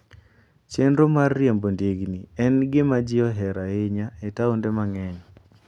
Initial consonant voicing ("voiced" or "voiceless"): voiceless